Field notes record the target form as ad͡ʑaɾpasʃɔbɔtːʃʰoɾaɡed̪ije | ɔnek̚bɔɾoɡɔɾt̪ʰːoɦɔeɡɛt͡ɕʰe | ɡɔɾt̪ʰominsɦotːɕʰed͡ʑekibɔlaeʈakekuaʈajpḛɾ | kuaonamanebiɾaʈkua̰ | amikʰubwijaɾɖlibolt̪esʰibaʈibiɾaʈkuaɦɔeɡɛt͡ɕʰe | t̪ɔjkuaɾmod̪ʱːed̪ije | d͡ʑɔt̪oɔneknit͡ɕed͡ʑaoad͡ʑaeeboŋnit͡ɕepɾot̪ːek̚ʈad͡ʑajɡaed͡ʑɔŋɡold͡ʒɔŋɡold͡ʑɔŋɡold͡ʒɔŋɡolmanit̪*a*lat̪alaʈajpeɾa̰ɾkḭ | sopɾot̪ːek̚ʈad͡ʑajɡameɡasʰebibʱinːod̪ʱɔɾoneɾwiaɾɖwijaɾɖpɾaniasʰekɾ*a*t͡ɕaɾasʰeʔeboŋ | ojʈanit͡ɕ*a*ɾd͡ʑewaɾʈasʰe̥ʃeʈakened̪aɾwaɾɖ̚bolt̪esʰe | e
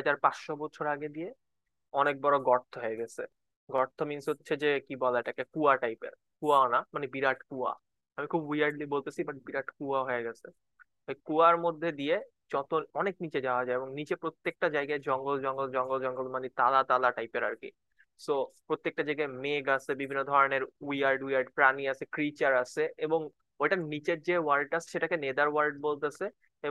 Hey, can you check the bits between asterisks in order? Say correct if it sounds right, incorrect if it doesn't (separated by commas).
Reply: correct, incorrect, incorrect